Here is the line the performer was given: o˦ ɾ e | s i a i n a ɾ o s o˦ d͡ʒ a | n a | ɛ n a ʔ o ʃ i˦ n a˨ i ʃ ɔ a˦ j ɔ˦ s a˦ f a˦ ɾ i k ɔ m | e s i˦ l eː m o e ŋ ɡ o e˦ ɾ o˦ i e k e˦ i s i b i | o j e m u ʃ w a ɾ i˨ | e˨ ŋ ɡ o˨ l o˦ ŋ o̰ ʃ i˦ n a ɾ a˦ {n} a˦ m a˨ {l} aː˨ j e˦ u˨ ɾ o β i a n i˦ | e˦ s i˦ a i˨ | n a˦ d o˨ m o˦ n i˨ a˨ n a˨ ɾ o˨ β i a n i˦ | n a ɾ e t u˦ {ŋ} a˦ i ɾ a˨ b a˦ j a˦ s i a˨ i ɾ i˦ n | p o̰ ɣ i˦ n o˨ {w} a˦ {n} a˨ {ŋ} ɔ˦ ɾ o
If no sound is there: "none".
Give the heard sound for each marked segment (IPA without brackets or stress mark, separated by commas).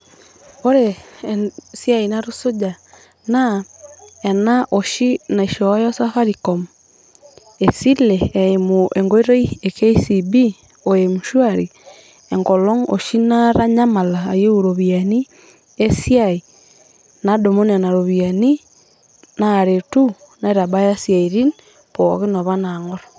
ɲ, l, n, β, n, ŋ